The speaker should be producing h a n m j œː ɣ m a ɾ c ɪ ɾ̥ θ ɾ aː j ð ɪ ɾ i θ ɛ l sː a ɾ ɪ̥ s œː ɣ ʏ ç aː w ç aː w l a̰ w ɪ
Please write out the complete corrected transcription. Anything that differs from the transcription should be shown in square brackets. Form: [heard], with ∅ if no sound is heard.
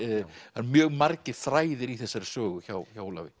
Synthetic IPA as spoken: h a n m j œː ɣ m a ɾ c ɪ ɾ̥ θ ɾ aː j ð ɪ ɾ i θ ɛ [∅] sː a ɾ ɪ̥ s œː ɣ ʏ ç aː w ç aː w l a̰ [v] ɪ